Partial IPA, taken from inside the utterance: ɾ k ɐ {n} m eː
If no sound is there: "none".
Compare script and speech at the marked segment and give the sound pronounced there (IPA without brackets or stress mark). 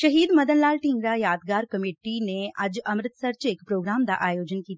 none